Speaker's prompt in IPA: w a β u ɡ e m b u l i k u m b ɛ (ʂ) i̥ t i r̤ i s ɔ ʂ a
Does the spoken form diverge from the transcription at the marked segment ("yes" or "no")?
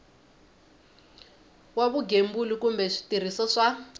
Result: no